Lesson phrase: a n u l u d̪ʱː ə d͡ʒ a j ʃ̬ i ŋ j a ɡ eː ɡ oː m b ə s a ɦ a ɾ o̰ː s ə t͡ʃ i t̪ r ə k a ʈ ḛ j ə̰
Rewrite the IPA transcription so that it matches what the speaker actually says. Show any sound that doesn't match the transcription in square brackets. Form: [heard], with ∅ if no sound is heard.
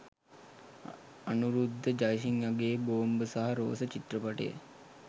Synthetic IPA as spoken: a n u [ɾ] u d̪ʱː ə d͡ʒ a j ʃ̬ i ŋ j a ɡ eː [b] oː m b ə s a ɦ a ɾ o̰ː s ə t͡ʃ i t̪ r ə [p] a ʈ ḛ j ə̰